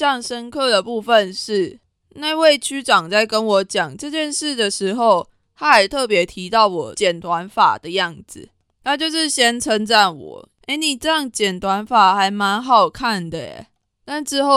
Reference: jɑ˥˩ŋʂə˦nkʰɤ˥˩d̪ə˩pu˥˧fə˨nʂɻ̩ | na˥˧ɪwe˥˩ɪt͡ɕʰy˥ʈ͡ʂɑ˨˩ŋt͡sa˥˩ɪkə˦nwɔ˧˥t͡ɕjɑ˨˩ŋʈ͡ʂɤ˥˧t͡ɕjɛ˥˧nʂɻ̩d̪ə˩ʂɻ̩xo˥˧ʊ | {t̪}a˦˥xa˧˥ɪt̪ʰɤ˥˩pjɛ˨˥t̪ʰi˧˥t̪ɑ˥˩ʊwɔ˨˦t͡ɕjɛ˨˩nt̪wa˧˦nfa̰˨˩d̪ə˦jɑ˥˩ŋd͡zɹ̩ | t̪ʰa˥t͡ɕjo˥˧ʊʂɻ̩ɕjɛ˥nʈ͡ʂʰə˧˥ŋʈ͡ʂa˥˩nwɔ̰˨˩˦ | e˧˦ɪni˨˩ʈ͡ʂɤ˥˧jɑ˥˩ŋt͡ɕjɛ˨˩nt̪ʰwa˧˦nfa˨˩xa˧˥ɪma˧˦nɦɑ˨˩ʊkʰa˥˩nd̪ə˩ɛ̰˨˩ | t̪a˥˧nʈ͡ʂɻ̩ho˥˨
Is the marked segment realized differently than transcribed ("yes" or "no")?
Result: yes